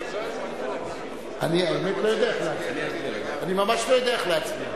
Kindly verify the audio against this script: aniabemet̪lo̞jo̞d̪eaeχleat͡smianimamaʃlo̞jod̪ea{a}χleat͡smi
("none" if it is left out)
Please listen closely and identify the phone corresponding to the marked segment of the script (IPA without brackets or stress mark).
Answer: e